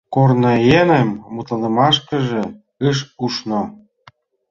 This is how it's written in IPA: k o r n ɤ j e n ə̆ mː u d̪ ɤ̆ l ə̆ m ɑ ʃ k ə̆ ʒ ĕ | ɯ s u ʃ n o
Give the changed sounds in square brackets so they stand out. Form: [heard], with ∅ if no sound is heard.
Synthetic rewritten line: k o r n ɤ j e n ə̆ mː u [t̪] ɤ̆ l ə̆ m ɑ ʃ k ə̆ ʒ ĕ | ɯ [ʃ] u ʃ n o